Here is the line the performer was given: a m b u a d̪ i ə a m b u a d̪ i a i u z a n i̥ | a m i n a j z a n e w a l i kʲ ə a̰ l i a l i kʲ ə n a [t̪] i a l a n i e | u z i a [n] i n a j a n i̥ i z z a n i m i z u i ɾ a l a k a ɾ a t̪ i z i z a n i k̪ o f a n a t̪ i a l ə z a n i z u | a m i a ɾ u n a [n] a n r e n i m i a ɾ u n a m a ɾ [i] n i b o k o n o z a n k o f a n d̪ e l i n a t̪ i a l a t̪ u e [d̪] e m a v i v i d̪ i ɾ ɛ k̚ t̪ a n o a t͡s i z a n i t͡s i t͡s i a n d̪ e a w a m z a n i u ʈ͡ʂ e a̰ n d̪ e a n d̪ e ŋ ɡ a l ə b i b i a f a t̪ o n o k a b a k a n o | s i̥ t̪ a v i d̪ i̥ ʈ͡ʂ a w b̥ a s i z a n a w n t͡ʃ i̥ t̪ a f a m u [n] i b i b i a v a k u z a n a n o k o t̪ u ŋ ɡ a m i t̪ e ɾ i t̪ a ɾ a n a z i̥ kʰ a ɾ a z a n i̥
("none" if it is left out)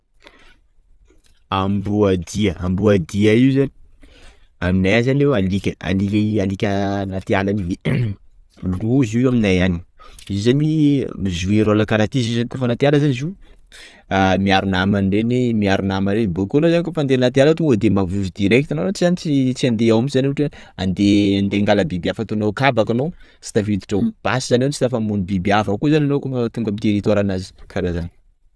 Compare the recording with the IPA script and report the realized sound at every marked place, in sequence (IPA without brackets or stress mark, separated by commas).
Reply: t̪, m, m, e, d̪, n